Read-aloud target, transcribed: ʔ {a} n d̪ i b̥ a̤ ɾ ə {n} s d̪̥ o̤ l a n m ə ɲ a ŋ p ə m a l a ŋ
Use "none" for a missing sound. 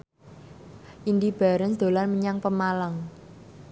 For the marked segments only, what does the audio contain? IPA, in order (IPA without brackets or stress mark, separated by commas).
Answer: i, n